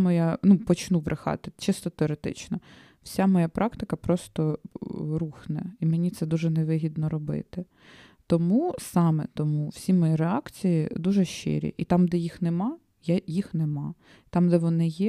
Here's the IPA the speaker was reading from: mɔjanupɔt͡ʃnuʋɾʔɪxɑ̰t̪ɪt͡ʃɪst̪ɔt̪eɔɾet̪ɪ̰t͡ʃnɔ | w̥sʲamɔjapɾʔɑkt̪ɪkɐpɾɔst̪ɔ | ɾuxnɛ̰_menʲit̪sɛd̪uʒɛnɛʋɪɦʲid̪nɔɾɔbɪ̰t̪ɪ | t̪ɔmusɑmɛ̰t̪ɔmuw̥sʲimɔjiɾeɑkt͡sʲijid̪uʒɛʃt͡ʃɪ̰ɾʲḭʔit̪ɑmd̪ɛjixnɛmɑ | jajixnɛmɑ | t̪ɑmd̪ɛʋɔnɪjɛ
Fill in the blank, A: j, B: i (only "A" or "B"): B